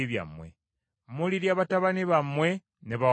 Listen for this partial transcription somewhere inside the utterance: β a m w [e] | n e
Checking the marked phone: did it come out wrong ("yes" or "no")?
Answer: no